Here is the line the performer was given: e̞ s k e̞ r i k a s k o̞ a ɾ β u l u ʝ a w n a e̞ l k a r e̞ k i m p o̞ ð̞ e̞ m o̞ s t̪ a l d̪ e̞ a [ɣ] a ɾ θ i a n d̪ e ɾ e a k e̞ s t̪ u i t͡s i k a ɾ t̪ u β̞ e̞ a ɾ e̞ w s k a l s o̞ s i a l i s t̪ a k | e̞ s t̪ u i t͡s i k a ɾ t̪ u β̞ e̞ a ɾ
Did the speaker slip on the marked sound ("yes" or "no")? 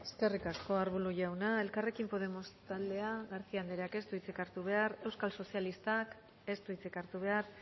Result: no